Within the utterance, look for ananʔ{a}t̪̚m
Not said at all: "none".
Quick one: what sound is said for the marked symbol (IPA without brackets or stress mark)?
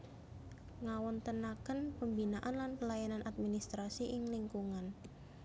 a